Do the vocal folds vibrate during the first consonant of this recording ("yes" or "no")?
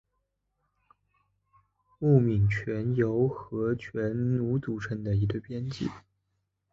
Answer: yes